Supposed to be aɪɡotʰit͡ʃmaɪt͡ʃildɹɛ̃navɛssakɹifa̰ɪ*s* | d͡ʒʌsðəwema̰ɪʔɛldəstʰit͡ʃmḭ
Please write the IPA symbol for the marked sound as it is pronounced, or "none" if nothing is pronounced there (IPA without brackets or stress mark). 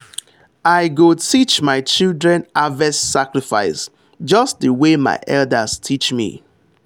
s